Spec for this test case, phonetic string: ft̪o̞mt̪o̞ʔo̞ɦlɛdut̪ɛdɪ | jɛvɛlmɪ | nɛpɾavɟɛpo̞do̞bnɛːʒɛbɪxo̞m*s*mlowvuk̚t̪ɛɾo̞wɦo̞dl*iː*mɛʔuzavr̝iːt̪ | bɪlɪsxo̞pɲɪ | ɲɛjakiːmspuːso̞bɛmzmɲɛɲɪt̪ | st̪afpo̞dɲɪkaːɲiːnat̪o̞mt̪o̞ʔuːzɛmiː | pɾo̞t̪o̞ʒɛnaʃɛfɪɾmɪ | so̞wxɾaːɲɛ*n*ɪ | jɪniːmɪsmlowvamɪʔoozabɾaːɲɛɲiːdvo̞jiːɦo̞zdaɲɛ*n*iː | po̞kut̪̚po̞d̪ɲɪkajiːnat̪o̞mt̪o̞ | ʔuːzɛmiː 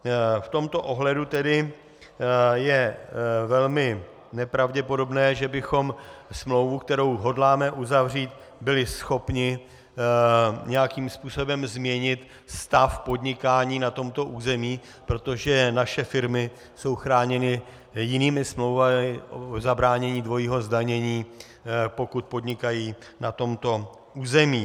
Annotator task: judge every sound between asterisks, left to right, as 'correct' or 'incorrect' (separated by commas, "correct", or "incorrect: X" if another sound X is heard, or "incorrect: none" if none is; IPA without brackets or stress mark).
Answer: correct, incorrect: aː, correct, incorrect: ɲ